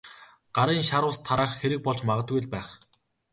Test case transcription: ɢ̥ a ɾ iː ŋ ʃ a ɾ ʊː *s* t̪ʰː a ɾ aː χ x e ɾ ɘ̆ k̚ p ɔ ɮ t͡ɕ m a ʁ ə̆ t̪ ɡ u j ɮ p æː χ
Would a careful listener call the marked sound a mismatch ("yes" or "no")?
no